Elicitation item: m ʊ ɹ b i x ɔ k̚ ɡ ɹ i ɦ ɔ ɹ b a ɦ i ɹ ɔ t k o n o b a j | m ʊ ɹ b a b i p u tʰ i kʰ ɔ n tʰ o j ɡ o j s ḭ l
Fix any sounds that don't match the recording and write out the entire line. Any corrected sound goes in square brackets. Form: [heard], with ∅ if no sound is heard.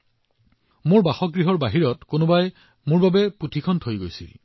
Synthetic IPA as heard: m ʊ ɹ b [a] x ɔ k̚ ɡ ɹ i ɦ ɔ ɹ b a ɦ i ɹ ɔ t k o n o b a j | m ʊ ɹ b a b [ɛ] p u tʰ i kʰ ɔ n tʰ o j ɡ o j s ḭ l